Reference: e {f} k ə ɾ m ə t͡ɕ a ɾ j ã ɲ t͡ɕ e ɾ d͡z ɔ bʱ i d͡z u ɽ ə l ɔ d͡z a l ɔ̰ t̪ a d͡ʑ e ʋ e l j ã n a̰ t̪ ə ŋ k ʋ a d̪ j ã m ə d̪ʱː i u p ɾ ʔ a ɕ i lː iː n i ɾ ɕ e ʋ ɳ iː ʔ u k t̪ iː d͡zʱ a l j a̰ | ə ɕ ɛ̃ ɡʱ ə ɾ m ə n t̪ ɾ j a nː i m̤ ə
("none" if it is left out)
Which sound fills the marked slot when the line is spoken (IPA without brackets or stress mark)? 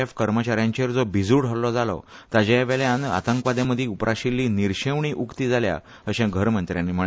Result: f